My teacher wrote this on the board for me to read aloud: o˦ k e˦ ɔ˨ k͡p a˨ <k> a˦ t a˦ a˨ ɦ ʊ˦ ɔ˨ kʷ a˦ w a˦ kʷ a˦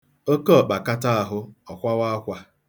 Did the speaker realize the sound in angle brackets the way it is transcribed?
yes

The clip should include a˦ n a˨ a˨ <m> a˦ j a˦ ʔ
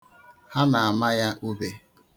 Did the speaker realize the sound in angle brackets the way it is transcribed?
yes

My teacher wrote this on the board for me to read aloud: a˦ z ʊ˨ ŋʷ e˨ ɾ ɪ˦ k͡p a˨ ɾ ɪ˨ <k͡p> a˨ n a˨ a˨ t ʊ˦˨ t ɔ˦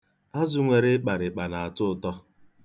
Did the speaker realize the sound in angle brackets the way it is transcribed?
yes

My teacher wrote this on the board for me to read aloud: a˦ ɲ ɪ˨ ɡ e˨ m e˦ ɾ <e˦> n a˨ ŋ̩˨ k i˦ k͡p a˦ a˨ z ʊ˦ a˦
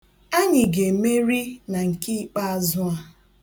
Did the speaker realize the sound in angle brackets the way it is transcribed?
no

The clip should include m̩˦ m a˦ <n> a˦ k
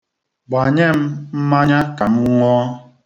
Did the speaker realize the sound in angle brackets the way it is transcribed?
no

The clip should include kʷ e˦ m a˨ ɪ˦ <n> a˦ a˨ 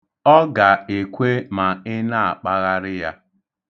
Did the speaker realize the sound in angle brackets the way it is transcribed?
yes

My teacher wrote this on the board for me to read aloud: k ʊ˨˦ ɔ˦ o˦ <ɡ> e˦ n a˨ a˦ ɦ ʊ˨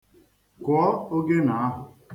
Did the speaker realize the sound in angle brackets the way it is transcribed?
yes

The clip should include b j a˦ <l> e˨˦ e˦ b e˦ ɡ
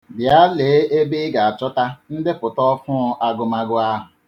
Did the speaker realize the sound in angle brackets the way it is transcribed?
yes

